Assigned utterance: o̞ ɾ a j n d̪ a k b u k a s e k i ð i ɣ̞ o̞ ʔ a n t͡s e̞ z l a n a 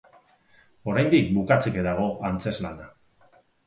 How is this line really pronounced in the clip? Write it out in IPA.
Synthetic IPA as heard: o̞ ɾ a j n d̪ i k b u k a t͡s e k e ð a ɣ̞ o̞ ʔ a n t͡s e̞ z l a n a